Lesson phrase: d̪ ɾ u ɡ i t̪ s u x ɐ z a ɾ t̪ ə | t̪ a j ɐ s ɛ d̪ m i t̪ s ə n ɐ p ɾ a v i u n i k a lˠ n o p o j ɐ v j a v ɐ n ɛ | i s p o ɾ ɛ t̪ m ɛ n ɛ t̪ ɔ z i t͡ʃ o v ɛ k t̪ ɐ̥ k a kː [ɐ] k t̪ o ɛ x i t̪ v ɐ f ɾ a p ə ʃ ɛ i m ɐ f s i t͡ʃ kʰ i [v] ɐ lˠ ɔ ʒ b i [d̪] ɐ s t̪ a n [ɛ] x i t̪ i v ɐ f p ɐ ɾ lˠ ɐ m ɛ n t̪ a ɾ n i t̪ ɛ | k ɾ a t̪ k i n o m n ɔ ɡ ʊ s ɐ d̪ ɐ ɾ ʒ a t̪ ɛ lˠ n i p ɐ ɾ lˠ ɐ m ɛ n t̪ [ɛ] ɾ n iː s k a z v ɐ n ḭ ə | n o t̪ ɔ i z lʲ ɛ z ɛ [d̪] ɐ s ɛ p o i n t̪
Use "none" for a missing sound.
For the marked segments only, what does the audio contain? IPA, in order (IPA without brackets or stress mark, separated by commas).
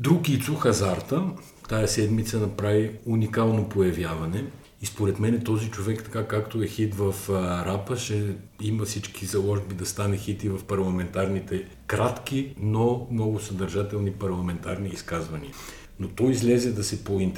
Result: a, z, d̪, ɛ, a, d̪